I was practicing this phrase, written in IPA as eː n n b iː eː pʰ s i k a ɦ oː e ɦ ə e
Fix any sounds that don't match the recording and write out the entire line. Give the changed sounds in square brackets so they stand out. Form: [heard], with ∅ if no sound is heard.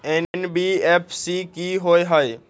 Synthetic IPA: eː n n b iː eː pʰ s i k [i] ɦ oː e ɦ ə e

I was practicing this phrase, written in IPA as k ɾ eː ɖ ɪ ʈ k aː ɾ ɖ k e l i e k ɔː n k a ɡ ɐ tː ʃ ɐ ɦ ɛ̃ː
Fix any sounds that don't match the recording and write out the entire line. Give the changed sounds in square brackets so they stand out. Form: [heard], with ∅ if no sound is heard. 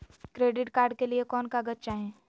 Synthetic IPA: k ɾ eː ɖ ɪ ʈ k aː ɾ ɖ k e l i e k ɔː n k a ɡ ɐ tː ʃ [a] ɦ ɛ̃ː

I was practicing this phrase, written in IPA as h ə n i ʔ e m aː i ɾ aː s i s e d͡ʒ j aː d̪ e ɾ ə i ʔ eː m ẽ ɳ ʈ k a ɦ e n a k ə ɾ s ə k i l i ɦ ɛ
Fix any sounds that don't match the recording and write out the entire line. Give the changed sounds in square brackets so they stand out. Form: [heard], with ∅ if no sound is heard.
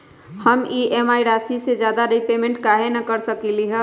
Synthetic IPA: h ə [m] i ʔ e m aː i ɾ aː s i s e d͡ʒ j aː d̪ [a] ɾ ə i [p] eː m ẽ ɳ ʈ k a ɦ e n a k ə ɾ s ə k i l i ɦ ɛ

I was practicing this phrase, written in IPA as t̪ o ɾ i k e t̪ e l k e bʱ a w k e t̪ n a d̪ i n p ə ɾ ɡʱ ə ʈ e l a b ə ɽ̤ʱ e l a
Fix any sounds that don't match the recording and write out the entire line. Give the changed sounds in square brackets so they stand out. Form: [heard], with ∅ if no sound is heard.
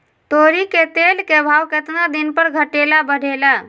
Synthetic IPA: t̪ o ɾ i k e t̪ e l k e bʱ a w k e t̪ n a d̪ i n p ə ɾ ɡʱ ə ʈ e l a b ə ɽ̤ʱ e l a

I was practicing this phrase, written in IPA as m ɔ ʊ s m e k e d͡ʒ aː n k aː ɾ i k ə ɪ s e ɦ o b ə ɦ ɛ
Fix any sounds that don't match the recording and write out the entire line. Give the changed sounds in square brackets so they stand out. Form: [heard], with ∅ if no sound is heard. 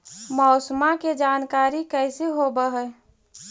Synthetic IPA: m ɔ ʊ s m [a] k e d͡ʒ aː n k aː ɾ i k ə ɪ s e ɦ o b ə ɦ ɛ

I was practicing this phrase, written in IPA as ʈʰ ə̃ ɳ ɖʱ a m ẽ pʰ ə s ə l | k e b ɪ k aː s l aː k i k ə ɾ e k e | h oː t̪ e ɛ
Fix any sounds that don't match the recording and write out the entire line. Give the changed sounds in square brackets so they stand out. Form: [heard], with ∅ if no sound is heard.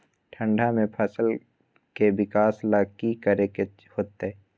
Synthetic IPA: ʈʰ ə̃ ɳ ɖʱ a m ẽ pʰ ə s ə l | k e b ɪ k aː s l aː k i k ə ɾ e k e | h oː t̪ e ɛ

